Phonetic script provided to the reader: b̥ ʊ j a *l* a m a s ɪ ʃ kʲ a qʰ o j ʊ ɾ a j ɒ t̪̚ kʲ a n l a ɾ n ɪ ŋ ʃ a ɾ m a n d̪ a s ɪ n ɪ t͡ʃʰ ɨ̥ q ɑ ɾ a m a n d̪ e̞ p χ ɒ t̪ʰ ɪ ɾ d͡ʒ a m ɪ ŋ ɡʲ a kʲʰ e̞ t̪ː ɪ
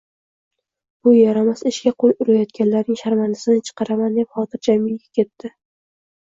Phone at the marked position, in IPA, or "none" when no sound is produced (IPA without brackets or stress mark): ɾ